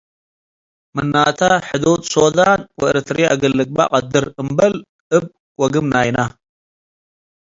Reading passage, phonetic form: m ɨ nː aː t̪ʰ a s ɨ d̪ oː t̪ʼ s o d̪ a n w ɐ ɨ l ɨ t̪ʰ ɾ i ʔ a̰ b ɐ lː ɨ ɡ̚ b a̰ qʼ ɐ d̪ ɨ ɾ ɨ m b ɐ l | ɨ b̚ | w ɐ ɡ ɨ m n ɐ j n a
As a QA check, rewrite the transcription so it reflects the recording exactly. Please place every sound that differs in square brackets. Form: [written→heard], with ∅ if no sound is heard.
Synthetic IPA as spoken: m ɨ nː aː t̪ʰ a [s→ħ] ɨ d̪ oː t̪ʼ s o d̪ a n w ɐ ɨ [l→ɾ] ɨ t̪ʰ ɾ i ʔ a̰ [b→ɡ] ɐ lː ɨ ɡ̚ b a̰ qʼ ɐ d̪ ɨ ɾ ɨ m b ɐ l | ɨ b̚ | w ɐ ɡ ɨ m n [ɐ→a] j n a